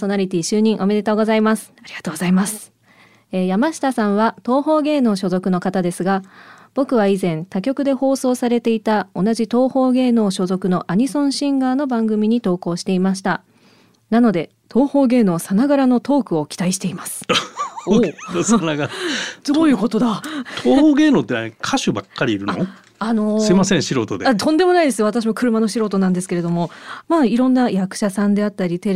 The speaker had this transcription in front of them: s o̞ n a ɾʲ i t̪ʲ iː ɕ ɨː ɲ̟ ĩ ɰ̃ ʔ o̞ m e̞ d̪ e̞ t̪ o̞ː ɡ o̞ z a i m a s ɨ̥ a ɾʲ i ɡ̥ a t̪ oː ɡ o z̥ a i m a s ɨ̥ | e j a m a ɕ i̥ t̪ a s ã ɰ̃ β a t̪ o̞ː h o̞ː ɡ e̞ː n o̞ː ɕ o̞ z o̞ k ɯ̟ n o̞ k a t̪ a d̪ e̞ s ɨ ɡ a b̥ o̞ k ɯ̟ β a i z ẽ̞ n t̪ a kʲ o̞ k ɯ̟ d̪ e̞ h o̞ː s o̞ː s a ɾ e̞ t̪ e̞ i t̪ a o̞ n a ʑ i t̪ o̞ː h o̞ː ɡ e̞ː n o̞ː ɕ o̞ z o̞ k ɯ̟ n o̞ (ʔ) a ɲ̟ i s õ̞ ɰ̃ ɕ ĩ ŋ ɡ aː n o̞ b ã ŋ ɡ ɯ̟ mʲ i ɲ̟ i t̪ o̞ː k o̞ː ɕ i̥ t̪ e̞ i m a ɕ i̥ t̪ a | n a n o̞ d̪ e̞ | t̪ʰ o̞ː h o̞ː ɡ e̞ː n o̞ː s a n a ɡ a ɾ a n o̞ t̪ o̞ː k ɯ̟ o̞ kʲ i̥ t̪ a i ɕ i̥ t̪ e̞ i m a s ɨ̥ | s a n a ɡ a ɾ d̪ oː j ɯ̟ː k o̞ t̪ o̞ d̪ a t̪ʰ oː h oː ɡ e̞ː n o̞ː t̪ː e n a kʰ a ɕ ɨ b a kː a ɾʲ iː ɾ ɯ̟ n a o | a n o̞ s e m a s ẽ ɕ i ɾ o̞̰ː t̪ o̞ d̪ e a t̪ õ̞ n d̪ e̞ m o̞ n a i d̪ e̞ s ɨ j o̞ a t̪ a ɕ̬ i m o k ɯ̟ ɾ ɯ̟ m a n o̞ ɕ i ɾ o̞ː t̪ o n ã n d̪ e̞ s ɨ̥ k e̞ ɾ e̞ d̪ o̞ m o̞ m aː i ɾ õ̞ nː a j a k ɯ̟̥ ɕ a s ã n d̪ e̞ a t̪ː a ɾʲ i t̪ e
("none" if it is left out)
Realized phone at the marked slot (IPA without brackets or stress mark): ʔ